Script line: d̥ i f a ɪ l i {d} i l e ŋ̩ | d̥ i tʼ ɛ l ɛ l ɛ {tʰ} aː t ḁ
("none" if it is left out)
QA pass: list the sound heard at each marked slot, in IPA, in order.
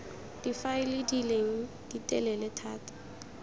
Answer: d, tʰ

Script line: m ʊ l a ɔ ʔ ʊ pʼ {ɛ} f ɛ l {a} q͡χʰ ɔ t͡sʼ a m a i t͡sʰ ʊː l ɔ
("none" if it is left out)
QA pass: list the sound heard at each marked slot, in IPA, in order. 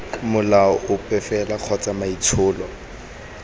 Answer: ɛ, a

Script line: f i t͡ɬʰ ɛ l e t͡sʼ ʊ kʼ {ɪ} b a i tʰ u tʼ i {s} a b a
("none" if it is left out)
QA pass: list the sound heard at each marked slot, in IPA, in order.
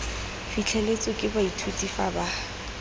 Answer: ɪ, f

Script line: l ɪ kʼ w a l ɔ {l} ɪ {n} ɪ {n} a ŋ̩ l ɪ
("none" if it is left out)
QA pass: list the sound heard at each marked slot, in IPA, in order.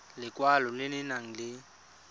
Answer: l, n, n

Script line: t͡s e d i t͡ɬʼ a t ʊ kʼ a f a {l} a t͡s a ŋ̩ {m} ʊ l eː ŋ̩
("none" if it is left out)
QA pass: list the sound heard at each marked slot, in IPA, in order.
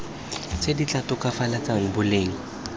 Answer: l, b

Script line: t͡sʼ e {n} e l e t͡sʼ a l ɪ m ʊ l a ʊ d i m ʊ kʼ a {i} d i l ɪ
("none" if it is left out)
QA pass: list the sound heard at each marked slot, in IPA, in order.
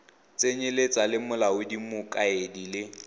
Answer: ɲ, e

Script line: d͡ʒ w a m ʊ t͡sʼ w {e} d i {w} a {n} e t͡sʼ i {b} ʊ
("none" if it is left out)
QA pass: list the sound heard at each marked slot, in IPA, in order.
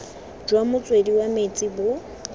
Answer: e, w, m, b

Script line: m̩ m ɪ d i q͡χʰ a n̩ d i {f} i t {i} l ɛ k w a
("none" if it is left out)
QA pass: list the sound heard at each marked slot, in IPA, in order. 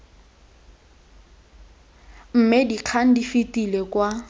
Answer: f, i

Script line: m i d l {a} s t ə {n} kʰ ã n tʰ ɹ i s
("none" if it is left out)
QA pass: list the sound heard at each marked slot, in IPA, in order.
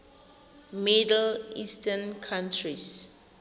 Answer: i, n

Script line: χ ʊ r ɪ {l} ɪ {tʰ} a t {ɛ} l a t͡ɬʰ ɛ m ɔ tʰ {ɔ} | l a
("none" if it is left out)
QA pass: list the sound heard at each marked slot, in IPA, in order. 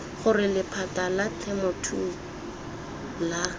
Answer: l, pʰ, a, u

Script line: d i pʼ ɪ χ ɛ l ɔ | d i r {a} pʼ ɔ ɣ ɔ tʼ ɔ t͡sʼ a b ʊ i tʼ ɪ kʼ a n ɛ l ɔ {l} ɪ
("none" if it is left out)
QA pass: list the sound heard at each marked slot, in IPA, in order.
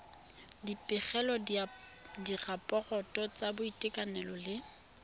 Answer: a, l

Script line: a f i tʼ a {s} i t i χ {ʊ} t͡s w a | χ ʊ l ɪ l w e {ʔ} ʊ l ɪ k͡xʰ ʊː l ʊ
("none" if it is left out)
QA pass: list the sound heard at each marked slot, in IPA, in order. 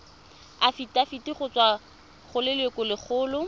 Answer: f, ʊ, k

